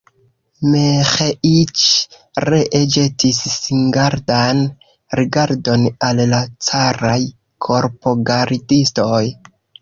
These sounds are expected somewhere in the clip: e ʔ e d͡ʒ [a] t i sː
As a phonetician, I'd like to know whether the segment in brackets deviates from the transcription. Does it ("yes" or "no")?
yes